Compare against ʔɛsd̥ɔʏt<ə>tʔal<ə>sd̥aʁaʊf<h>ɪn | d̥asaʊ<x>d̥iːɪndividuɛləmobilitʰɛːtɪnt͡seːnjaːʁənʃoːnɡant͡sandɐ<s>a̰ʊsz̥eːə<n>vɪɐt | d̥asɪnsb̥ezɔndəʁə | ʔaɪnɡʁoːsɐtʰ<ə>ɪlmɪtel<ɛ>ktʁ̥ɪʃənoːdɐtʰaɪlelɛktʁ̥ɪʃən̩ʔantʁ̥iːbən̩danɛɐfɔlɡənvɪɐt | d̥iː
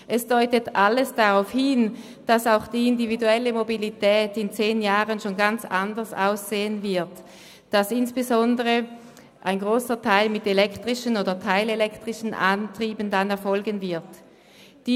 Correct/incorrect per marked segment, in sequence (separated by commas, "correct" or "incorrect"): correct, correct, correct, correct, correct, correct, incorrect, correct